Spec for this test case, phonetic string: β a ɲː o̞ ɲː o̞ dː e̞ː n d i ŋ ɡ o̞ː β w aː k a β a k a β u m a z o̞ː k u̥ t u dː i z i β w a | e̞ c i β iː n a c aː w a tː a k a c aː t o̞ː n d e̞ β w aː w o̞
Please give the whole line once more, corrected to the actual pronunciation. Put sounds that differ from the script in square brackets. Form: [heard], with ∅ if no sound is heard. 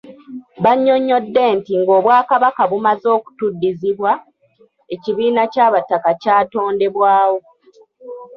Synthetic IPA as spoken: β a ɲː o̞ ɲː o̞ dː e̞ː n [t] i ŋ ɡ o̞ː β w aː k a β a k a β u m a z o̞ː k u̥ t u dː i z i β w a | e̞ c i β iː n a c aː [β] a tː a k a c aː t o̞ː n d e̞ β w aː w o̞